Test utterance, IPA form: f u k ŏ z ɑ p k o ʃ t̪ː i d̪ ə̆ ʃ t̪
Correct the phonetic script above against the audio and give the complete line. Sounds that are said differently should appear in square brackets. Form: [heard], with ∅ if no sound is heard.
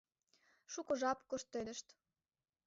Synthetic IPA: [ʃ] u k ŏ [ʒ] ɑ p k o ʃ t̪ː [e] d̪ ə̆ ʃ t̪